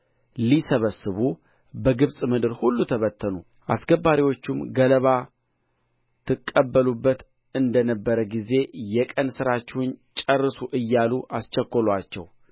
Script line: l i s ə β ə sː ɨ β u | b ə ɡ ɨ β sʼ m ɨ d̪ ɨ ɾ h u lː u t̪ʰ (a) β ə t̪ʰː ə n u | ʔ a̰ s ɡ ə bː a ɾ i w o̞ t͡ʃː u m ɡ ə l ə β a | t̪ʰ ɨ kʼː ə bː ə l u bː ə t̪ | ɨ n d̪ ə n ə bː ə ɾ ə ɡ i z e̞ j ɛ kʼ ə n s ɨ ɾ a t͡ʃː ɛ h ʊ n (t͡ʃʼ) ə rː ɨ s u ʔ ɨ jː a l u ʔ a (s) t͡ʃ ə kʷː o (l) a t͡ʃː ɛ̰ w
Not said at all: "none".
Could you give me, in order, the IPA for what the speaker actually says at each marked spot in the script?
ə, t͡ʃʼ, s, l

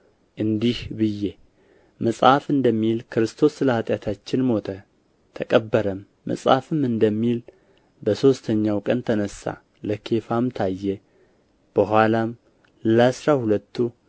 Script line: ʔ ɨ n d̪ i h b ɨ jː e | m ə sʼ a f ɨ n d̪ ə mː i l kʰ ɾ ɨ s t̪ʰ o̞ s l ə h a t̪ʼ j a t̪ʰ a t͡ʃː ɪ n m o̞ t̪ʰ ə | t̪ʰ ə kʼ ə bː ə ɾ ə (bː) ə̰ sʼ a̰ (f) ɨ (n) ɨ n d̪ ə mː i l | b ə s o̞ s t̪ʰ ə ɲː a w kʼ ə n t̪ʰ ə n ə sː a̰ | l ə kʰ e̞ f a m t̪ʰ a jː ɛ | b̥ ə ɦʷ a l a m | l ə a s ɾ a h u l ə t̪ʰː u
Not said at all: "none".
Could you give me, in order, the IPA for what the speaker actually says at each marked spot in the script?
mː, f, m

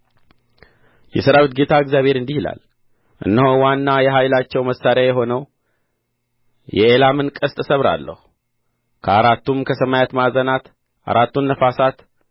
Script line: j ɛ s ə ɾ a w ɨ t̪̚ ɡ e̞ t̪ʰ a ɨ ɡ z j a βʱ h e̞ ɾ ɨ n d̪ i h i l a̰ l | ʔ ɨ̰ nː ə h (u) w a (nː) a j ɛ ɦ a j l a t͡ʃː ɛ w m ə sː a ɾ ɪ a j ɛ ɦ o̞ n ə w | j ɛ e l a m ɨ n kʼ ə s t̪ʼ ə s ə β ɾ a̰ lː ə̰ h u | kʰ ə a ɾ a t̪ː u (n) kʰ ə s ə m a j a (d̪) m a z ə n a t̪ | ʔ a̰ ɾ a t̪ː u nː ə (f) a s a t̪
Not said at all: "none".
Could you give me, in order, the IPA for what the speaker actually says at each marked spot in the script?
o, nː, m, t̪, f

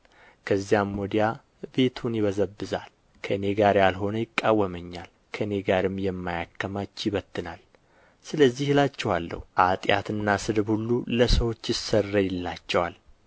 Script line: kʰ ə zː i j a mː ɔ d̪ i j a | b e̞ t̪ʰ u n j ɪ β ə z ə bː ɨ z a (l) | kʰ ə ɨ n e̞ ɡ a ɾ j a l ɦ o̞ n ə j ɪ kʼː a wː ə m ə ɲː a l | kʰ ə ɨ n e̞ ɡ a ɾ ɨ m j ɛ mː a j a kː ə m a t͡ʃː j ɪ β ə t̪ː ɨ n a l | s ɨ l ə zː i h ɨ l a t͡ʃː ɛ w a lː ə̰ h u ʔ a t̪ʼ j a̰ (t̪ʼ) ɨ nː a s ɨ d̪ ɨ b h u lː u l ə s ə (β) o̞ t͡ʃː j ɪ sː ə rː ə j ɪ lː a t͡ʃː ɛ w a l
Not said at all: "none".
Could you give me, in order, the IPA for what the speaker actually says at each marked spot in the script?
l, t̪, w

